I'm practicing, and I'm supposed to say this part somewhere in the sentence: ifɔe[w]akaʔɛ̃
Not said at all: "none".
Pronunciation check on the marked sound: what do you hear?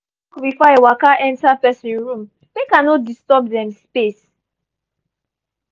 w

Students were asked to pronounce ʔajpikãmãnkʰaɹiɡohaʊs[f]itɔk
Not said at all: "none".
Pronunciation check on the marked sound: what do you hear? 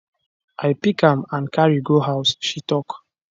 ʃ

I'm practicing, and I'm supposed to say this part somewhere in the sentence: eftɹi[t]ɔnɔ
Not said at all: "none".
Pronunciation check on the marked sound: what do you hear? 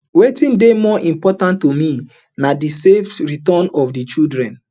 t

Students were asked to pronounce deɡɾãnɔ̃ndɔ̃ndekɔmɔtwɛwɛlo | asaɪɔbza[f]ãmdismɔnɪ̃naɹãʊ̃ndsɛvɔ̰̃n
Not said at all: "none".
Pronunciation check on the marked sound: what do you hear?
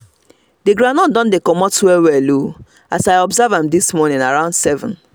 v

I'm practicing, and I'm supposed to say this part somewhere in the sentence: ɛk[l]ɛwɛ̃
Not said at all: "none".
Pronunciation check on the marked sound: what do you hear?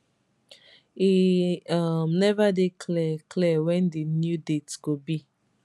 l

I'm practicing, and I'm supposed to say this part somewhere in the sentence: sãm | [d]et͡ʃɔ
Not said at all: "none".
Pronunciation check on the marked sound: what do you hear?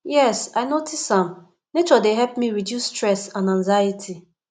n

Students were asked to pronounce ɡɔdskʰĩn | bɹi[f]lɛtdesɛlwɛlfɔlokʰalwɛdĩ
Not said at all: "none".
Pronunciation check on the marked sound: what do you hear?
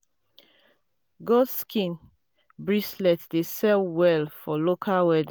s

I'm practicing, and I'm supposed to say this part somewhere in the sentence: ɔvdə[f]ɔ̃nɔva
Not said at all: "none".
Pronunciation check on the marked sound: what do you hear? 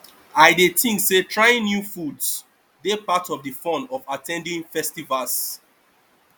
f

